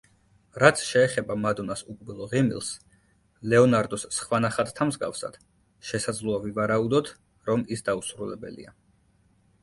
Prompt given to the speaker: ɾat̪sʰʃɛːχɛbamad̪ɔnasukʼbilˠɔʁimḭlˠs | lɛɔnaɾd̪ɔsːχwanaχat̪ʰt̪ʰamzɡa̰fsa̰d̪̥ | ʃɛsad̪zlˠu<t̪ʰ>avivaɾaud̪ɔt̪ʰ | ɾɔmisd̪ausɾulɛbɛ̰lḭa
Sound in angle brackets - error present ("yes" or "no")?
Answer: yes